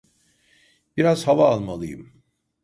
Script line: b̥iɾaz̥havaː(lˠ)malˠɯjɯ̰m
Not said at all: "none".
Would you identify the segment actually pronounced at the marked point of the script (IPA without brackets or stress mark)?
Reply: lˠ